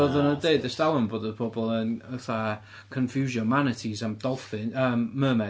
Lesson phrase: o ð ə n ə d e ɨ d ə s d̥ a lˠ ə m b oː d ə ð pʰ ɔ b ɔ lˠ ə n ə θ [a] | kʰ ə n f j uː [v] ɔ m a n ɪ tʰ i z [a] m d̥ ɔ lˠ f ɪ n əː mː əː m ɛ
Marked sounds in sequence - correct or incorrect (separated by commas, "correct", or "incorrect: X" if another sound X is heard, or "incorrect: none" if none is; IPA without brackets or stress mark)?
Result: correct, incorrect: ʒ, correct